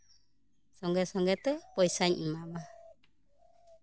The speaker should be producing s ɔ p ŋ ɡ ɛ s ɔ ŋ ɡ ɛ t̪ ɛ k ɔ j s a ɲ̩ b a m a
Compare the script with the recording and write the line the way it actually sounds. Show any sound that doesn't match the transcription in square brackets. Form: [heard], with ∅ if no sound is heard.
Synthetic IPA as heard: s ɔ [∅] ŋ ɡ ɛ s ɔ ŋ ɡ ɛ t̪ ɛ [p] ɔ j s a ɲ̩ [m] a m a